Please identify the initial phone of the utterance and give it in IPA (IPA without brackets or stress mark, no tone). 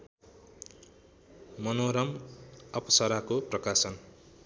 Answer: m